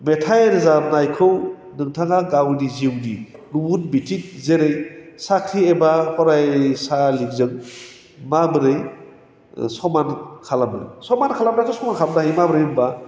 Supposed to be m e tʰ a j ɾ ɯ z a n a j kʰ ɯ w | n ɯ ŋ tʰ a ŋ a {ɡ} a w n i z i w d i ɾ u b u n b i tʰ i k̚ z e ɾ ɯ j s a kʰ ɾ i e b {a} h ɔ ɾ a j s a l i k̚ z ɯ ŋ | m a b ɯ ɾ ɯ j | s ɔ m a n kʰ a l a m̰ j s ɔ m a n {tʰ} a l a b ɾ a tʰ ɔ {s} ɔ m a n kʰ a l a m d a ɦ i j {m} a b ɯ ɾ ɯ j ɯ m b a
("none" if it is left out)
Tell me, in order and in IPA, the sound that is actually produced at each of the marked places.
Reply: ɡ, a, kʰ, s, m

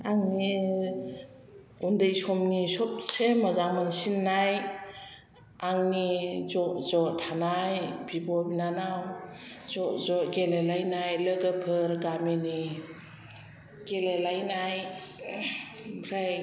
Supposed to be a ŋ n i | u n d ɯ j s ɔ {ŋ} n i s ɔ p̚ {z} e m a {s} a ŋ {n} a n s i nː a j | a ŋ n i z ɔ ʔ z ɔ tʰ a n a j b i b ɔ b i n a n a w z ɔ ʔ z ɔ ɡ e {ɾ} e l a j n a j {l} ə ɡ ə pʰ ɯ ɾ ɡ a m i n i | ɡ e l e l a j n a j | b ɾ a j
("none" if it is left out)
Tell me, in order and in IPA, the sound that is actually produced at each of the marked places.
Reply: m, s, z, m, l, l

